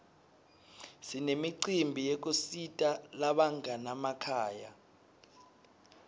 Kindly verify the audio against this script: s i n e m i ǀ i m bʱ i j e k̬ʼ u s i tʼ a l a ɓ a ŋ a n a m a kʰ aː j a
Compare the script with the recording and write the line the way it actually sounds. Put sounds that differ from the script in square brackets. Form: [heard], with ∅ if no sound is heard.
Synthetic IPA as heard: s i n e m i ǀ i m bʱ i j e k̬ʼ u s i tʼ a l a ɓ a ŋ a n a m a kʰ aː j a